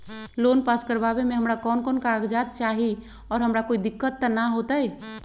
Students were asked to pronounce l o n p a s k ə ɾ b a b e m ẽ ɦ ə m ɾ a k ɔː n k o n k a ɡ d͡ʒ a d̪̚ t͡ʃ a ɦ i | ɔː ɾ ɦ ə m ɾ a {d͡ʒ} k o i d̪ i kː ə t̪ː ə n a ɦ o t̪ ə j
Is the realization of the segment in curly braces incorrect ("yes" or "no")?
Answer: yes